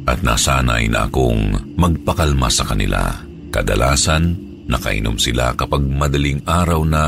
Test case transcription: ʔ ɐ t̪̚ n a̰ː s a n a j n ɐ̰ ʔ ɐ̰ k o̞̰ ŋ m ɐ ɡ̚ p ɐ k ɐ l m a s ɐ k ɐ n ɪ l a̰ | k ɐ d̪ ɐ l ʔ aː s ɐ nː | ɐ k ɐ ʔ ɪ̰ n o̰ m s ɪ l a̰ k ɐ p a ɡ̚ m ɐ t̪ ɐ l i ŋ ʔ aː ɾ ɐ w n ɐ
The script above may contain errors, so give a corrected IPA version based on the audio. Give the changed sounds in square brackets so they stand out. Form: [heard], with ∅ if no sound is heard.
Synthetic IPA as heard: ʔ ɐ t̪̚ n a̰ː s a n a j n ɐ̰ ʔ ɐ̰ k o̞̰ ŋ m ɐ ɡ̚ p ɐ k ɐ l m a s ɐ k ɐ n ɪ l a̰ | k ɐ d̪ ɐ l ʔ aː s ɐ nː | ɐ k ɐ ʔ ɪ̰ n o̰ m s ɪ l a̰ k ɐ p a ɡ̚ m ɐ [d̪] ɐ l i ŋ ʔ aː ɾ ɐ w n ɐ